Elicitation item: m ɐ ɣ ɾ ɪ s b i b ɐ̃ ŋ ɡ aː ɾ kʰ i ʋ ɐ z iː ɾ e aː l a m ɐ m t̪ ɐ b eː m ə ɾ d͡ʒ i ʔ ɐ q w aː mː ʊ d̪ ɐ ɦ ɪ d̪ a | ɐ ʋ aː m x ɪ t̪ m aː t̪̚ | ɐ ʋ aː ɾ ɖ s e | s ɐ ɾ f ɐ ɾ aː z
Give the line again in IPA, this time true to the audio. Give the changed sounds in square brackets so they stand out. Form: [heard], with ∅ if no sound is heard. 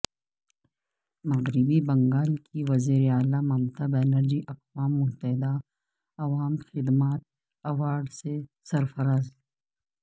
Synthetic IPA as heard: m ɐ ɣ ɾ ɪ [∅] b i b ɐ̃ ŋ ɡ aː [l] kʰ i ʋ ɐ z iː ɾ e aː l a m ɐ m t̪ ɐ b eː [n] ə ɾ d͡ʒ i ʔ ɐ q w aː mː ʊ [t̪] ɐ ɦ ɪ d̪ a | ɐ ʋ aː m x ɪ [d̪] m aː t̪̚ | ɐ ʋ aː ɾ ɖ s e | s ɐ ɾ f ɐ ɾ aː z